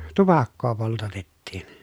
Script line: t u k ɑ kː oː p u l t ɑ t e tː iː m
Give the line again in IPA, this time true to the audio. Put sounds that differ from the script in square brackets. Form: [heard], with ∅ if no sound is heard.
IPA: t u [p] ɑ kː oː p [o] l t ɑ t e tː iː [n]